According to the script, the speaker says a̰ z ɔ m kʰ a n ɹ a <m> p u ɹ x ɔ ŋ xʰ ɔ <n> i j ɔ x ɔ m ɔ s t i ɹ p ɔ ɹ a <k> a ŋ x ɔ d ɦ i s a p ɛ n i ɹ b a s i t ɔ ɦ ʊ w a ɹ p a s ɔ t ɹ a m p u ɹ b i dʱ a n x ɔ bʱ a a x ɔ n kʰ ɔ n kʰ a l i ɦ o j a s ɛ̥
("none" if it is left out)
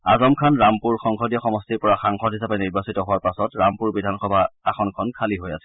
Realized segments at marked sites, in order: m, d, x

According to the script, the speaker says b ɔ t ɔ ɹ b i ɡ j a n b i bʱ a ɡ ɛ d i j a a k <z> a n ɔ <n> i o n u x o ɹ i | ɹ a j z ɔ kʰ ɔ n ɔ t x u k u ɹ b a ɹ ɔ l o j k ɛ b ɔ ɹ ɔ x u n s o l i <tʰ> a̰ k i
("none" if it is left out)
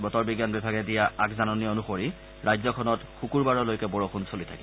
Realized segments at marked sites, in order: z, n, tʰ

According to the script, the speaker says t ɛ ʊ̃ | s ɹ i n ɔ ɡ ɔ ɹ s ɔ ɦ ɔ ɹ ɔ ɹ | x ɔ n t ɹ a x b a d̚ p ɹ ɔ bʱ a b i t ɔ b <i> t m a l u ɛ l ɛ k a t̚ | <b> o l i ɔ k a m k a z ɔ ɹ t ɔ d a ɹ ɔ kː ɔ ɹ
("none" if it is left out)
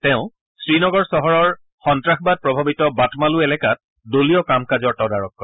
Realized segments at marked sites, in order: a, d

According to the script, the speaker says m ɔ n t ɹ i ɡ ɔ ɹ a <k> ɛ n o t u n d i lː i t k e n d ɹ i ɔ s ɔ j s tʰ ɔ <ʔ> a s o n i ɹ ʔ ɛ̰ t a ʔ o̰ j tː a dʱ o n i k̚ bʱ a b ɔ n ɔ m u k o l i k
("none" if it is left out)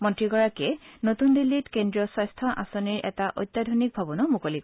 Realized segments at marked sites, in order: k, ʔ

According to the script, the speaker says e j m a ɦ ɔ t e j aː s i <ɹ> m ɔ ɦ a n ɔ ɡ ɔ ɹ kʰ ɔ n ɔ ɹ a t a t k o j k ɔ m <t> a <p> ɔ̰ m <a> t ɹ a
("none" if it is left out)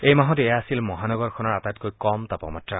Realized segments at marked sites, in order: l, t, p, a

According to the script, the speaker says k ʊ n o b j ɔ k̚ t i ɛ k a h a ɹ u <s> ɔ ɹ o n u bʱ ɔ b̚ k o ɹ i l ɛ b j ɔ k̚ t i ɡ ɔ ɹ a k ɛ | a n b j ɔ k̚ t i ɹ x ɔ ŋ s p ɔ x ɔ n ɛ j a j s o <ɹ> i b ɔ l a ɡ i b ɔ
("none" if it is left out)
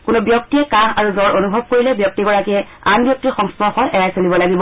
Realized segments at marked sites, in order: z, l

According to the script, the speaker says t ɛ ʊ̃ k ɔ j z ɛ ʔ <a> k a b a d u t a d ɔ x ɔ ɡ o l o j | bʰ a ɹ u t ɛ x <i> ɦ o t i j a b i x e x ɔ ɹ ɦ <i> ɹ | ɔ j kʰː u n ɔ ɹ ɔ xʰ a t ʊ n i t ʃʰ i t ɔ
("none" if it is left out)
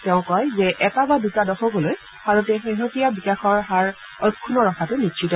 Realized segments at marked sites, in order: ɛ, e, a

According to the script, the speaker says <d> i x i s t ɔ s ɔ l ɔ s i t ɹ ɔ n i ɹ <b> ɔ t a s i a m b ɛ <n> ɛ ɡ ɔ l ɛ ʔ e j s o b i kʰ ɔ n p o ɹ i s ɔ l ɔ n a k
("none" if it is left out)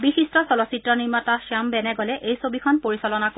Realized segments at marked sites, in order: b, m, n

